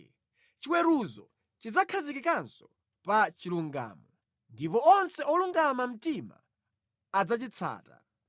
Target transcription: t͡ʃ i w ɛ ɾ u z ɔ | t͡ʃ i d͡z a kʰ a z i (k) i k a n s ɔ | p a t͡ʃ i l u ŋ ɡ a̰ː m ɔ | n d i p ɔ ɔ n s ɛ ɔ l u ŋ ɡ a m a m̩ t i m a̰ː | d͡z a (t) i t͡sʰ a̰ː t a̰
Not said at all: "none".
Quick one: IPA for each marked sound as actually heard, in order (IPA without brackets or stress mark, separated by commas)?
k, t͡ʃ